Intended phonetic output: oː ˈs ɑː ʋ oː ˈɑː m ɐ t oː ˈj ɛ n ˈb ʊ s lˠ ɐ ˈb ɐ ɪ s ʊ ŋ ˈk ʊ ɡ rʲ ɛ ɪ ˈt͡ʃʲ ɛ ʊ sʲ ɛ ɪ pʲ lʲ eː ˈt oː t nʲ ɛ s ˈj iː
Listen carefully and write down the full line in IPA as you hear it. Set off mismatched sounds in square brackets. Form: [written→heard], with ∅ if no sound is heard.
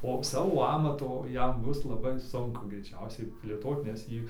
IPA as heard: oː ˈs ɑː ʋ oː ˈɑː m ɐ t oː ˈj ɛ [n→m] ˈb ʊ s lˠ ɐ ˈb ɐ ɪ s ʊ ŋ ˈk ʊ ɡ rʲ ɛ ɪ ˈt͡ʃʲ ɛ ʊ sʲ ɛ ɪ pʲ lʲ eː ˈt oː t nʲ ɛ s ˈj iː